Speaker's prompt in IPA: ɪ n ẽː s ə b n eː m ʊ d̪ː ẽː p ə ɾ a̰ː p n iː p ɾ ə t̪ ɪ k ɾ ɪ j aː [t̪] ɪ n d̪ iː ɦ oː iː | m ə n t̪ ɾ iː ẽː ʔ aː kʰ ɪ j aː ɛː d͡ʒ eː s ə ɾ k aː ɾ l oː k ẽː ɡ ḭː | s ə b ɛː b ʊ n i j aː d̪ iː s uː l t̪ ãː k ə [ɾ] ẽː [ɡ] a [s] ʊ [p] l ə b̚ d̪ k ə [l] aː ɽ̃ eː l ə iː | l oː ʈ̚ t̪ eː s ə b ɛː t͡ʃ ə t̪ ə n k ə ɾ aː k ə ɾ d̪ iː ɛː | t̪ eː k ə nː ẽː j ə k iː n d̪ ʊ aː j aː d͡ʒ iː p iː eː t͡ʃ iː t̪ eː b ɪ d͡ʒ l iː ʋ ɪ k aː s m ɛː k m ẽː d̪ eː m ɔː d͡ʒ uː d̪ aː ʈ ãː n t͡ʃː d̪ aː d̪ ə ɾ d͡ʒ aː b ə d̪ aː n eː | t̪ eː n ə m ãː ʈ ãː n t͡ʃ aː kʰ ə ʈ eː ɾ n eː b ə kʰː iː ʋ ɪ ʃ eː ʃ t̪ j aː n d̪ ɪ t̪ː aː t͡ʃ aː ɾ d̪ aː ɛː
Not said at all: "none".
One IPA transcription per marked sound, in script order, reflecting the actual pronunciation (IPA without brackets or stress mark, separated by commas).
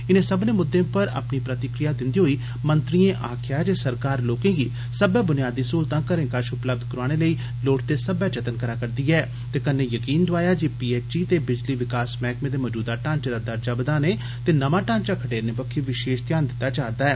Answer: d̪, ɾ, k, ʃ, p, ɾ